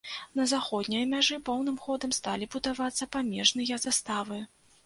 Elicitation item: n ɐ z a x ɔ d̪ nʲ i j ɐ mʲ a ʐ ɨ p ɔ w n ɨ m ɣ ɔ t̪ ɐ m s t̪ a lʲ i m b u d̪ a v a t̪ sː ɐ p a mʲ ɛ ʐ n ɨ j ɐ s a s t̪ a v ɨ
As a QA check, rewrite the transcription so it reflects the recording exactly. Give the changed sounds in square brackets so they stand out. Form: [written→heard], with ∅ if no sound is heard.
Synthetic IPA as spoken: n ɐ z a x ɔ d̪ nʲ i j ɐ mʲ a ʐ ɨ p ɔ w n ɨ m [ɣ→x] ɔ [t̪→d̪] ɐ m s t̪ a lʲ i [m→∅] b u d̪ a v a t̪ sː ɐ p a mʲ ɛ ʐ n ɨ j ɐ [s→z] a s t̪ a v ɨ